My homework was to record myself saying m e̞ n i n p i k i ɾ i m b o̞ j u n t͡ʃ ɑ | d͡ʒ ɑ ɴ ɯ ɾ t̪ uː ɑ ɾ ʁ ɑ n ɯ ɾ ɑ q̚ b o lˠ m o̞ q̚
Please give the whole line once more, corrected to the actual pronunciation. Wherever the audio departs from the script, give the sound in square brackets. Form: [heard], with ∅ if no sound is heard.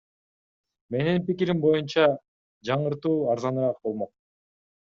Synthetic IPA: m e̞ n i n p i k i ɾ i m b o̞ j u n t͡ʃ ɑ | d͡ʒ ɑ ɴ ɯ ɾ t̪ uː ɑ ɾ [z] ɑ n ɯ ɾ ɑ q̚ b o lˠ m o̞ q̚